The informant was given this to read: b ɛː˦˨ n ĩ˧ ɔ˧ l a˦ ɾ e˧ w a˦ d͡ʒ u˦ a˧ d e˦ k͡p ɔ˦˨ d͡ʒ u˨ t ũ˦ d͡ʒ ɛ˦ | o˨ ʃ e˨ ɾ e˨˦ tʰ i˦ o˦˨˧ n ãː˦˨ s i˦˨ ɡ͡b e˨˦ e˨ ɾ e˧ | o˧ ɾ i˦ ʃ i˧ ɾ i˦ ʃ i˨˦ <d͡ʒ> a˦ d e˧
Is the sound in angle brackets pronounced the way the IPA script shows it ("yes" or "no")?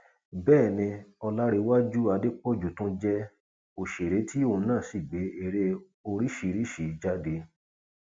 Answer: yes